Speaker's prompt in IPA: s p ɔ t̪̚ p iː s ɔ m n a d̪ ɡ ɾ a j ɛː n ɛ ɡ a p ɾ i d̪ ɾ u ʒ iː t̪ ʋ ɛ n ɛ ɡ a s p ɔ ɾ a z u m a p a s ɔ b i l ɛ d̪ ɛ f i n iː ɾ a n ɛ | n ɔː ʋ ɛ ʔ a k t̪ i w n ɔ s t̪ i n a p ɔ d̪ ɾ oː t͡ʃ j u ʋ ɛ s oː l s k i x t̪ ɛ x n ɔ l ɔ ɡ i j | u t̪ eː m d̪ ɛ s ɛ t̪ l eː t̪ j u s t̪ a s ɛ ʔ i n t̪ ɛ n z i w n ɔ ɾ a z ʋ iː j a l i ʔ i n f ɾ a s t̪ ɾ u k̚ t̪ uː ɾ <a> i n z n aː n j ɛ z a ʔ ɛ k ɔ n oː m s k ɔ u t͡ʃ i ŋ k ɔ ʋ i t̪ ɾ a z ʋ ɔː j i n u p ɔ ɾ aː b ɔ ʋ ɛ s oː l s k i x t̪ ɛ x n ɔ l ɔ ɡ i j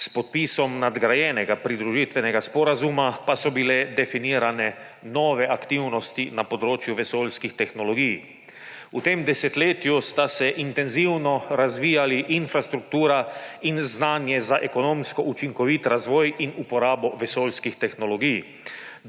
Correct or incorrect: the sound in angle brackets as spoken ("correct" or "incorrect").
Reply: correct